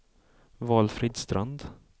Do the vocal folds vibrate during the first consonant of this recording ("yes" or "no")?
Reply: yes